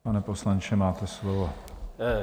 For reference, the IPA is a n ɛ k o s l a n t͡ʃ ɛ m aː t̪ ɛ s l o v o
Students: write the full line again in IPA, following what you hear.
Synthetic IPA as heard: a n ɛ p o s l a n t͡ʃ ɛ m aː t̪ ɛ s l o v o